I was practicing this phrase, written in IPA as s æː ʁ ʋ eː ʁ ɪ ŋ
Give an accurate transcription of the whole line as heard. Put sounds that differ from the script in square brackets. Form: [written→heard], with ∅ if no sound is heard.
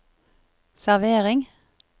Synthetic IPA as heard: s [æː→æ] ʁ ʋ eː ʁ ɪ ŋ